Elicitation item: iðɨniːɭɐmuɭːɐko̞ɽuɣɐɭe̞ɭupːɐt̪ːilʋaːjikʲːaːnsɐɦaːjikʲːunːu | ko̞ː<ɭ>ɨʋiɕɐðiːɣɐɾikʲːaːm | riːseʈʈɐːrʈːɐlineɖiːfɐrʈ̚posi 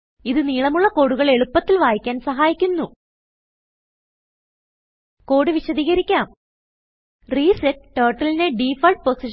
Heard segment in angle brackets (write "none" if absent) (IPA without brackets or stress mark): ɽ